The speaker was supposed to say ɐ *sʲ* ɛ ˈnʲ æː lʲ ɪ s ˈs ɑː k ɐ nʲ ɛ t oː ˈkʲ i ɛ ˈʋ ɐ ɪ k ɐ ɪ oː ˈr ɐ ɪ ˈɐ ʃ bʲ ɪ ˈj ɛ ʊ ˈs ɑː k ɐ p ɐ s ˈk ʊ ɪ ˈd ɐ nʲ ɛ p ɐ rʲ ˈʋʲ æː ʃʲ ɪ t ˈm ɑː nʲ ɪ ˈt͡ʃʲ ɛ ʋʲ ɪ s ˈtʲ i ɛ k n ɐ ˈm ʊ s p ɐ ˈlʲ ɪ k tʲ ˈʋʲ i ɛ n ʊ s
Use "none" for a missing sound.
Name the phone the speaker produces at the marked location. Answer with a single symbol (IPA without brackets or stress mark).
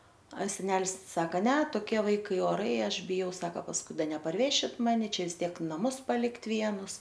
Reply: sʲ